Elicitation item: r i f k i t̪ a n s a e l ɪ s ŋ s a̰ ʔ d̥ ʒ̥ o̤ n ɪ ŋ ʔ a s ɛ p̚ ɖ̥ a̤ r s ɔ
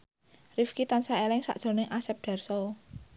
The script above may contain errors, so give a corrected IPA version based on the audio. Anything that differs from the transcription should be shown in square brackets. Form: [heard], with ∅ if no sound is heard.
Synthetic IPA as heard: r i f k i t̪ a n s a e l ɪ [∅] ŋ s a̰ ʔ d̥ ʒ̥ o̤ n ɪ ŋ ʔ a s ɛ p̚ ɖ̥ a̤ r s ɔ